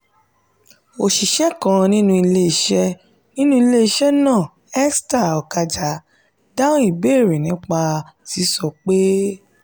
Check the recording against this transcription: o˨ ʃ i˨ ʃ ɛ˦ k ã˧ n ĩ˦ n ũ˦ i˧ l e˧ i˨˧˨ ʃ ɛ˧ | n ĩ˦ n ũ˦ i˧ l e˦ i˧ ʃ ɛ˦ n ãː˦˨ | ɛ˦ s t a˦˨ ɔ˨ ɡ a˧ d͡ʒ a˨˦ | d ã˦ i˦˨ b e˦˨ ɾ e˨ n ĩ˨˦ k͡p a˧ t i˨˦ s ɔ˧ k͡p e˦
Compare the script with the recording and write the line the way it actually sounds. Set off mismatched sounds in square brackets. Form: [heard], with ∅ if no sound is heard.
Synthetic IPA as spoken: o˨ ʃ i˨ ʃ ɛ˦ k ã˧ n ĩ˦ n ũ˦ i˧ l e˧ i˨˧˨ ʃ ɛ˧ | n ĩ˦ n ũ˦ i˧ l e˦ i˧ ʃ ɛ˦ n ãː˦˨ | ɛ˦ s t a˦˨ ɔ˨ [k] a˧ d͡ʒ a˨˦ | d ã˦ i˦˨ b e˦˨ ɾ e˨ n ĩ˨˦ k͡p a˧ t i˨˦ s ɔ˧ k͡p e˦